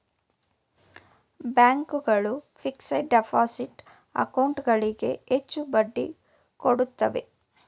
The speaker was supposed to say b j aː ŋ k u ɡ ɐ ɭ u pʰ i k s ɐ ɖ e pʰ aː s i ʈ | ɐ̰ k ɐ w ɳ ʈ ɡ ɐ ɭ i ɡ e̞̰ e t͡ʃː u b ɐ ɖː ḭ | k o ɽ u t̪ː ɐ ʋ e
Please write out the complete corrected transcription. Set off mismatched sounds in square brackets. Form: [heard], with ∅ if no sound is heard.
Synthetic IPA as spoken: b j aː ŋ k u ɡ ɐ ɭ u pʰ i k s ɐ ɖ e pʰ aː s i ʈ | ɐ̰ k ɐ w ɳ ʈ ɡ ɐ ɭ i ɡ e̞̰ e t͡ʃː u b ɐ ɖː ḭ | k o ɽ u t̪ː ɐ ʋ e